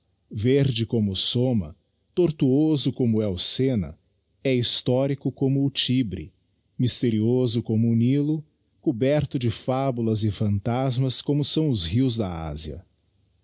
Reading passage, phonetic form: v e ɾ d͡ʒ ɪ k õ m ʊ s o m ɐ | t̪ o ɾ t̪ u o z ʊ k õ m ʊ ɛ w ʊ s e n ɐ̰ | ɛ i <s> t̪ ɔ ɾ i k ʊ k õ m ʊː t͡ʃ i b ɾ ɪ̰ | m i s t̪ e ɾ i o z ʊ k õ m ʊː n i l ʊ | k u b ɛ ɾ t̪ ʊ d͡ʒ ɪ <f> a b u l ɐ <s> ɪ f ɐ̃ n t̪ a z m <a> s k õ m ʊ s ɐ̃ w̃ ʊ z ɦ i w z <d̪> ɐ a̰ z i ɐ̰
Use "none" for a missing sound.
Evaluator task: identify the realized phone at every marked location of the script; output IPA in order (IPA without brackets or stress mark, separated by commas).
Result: s, f, z, ɐ, d̪